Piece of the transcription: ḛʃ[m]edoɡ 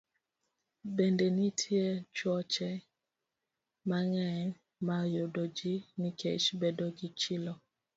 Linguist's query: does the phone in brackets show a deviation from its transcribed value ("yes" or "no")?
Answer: yes